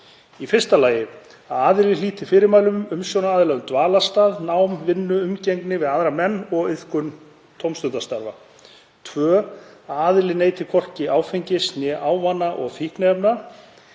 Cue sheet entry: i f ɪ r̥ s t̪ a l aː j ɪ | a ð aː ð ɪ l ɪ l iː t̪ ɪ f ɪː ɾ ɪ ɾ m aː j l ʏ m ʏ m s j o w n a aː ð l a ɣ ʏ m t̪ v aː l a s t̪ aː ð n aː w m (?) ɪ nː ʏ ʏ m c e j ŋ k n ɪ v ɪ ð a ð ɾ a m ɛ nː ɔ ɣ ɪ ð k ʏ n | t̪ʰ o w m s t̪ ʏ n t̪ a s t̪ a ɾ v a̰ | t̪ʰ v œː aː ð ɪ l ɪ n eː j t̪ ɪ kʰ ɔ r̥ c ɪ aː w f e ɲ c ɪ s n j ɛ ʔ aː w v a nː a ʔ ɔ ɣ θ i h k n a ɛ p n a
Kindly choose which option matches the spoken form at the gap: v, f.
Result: v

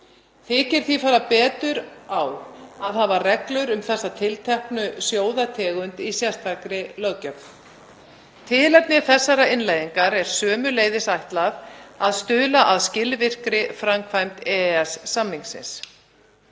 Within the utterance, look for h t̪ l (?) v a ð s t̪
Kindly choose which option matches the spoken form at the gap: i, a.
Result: a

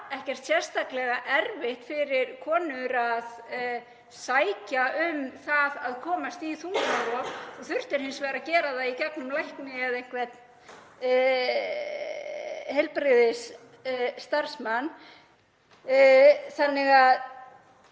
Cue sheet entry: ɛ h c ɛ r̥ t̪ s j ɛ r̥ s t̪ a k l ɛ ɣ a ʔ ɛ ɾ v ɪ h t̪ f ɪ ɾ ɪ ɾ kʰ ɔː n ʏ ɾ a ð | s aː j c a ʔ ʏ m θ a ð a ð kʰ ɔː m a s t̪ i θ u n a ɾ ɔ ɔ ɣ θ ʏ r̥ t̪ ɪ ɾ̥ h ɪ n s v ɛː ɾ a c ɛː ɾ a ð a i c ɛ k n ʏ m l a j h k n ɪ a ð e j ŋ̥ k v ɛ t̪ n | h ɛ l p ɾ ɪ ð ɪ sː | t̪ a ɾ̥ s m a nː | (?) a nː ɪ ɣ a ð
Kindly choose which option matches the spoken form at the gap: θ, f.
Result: θ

